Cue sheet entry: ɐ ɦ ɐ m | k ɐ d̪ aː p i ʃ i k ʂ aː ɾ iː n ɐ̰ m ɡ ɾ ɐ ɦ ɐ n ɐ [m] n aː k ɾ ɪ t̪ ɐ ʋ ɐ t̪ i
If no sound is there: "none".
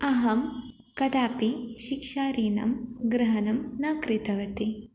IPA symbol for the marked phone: m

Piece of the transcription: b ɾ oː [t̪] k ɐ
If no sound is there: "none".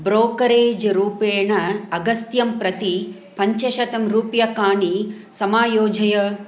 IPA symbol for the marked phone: none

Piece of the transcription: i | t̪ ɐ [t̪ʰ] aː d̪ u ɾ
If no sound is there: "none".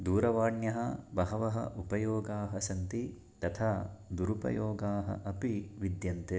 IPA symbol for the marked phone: t̪ʰ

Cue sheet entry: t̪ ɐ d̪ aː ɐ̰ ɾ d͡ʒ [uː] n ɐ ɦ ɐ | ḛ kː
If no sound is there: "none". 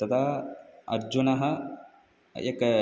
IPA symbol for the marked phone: u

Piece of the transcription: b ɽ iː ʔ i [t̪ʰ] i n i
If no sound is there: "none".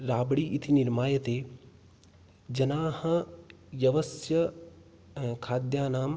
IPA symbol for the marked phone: t̪ʰ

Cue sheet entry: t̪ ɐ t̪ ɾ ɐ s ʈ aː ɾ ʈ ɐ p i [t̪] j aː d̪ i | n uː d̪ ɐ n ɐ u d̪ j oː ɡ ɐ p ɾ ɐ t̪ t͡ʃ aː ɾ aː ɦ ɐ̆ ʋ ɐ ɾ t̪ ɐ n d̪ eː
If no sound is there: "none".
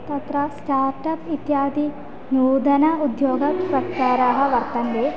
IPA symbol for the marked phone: t̪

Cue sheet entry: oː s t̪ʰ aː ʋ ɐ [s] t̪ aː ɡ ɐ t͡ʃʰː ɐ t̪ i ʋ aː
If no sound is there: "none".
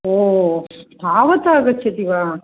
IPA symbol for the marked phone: none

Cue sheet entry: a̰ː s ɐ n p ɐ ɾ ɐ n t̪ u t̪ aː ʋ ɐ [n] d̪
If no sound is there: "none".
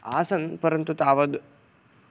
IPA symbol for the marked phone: none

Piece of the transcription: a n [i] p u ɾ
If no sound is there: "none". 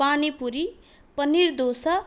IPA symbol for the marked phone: i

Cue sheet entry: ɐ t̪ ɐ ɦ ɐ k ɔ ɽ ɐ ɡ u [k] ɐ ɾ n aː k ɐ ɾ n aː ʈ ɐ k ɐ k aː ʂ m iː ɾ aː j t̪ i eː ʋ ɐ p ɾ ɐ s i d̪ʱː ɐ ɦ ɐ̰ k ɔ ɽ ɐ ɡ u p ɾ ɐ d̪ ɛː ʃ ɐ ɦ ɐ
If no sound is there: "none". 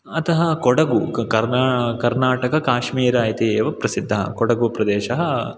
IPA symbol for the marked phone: k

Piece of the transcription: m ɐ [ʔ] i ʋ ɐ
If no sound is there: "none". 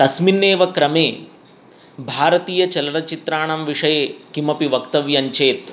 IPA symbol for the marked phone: p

